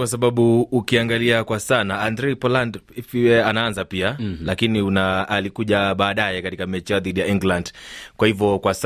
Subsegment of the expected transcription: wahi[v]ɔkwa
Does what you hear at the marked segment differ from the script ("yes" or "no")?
no